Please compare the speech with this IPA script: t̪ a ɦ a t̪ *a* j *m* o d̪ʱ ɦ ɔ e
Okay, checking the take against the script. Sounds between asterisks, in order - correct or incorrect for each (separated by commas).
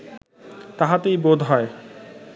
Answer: incorrect, incorrect